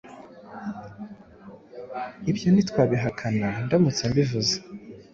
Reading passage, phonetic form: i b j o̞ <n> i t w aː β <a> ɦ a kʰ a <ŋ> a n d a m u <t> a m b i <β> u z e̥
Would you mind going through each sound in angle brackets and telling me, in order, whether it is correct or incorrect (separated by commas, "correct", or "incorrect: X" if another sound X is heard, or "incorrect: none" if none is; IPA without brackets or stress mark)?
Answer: correct, incorrect: i, incorrect: n, incorrect: t͡s, incorrect: v